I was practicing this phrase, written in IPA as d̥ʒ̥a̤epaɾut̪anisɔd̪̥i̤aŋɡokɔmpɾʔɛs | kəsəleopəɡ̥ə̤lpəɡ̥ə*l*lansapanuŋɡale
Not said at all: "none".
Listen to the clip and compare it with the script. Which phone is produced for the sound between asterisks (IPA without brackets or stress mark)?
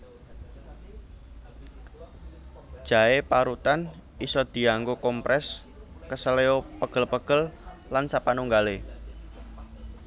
l